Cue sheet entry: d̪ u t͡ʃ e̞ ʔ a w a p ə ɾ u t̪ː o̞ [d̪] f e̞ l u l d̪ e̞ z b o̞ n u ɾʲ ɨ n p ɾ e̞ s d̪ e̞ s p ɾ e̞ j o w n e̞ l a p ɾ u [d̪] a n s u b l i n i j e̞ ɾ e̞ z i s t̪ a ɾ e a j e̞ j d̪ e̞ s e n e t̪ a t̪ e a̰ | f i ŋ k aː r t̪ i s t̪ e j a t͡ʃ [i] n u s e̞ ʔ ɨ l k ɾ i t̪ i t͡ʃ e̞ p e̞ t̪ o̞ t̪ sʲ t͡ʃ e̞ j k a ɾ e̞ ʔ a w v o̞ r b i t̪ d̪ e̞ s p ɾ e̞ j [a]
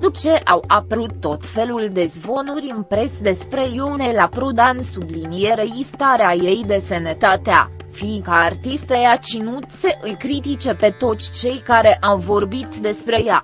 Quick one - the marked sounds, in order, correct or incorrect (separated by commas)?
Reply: incorrect, correct, correct, correct